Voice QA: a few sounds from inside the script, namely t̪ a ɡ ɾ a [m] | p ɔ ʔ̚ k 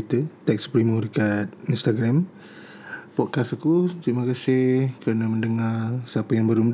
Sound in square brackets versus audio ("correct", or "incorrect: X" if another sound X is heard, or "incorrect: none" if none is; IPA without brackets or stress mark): correct